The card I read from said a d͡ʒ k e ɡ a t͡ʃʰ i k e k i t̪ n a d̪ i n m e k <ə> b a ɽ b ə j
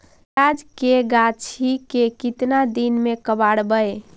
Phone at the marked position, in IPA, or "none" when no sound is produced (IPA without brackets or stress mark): ə